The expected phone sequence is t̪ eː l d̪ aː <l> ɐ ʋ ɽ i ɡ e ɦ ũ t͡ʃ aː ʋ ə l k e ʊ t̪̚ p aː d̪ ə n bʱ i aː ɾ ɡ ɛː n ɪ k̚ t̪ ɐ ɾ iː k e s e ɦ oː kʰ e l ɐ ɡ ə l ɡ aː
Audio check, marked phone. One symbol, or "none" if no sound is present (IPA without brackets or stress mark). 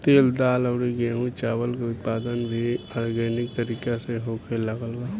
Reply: l